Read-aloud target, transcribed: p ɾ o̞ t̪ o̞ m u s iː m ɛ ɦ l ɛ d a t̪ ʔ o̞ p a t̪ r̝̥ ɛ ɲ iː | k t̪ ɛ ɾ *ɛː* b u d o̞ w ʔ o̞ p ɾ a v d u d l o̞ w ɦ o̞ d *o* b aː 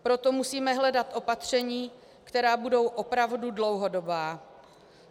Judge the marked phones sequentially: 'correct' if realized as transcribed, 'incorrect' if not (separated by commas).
incorrect, correct